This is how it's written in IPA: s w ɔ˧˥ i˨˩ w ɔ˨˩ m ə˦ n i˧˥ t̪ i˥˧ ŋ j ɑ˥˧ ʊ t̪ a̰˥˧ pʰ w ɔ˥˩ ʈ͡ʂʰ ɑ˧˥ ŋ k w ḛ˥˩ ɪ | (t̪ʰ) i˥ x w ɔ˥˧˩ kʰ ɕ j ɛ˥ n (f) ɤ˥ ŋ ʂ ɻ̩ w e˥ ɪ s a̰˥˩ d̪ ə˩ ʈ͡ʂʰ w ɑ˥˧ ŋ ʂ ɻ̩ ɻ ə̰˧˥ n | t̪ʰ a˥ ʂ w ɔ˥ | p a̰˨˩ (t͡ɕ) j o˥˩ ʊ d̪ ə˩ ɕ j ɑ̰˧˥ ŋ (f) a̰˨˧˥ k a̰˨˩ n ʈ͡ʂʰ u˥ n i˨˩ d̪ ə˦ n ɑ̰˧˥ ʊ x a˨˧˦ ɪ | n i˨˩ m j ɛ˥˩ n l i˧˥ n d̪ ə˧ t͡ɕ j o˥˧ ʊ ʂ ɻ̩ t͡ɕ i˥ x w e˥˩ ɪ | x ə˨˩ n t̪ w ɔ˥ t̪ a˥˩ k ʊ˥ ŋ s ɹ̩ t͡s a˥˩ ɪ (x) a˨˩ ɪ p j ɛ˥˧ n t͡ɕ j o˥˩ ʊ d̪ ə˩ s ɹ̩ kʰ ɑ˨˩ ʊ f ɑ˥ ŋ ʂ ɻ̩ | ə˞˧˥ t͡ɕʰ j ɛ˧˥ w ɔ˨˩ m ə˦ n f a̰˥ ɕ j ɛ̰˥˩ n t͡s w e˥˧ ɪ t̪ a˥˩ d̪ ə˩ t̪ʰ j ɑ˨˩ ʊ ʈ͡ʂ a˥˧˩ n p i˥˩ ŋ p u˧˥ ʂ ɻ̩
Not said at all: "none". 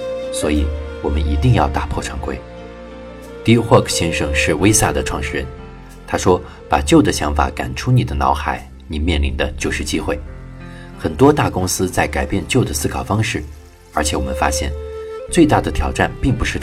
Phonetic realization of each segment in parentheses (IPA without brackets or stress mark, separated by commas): t̪, ʂ, t͡ɕ, f, k